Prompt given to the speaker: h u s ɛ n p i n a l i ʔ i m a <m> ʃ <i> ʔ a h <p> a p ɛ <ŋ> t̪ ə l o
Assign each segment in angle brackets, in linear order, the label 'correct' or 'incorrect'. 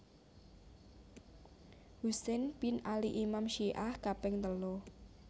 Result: correct, correct, incorrect, correct

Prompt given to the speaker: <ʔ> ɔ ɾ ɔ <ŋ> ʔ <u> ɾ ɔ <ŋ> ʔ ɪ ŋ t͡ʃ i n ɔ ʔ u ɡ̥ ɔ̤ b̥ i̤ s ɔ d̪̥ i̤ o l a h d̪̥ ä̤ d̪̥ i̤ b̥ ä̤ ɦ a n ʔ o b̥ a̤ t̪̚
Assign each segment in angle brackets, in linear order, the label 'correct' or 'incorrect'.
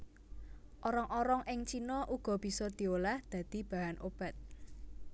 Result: correct, correct, incorrect, correct

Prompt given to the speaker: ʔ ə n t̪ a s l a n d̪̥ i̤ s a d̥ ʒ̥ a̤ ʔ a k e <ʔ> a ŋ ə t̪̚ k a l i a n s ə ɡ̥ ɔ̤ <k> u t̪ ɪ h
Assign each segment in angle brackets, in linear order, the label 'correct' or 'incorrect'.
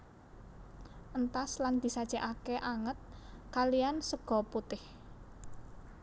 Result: correct, incorrect

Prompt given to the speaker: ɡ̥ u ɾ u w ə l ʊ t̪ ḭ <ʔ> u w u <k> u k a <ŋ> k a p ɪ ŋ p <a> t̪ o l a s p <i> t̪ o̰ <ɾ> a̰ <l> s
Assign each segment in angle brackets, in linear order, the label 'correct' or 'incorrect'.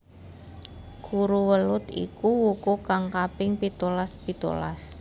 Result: incorrect, correct, correct, incorrect, correct, incorrect, incorrect

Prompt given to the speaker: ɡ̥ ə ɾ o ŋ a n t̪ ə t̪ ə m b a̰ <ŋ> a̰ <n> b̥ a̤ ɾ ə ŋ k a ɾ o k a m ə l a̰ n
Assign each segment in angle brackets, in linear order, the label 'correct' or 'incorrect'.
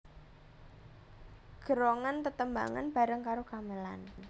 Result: correct, correct

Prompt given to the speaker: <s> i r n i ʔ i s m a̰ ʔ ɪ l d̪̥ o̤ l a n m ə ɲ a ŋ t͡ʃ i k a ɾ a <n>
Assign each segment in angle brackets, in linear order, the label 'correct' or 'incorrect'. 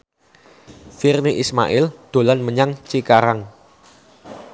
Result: incorrect, incorrect

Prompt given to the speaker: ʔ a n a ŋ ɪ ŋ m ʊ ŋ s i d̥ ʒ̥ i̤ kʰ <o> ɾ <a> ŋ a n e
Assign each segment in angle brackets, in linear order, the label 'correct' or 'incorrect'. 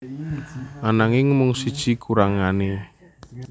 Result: incorrect, correct

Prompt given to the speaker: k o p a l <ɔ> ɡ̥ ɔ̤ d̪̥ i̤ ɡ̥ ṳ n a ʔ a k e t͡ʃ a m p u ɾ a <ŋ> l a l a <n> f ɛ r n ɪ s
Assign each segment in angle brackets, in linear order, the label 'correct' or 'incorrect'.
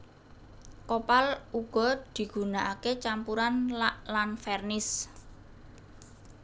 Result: incorrect, incorrect, correct

